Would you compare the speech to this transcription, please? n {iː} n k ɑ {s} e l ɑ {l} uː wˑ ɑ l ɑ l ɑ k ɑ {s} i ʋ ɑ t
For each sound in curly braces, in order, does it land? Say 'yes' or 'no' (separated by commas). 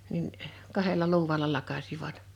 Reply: no, no, yes, yes